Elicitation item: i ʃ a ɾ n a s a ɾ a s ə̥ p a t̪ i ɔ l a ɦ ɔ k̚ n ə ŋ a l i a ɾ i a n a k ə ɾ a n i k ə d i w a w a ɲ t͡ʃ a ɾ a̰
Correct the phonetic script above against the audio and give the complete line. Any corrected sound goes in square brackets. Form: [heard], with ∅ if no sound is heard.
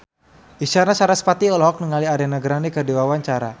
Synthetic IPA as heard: i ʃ a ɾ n a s a ɾ a s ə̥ p a t̪ i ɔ l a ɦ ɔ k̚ n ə ŋ a l i a ɾ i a n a [ɡ] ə ɾ a n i k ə d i w a w a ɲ t͡ʃ a ɾ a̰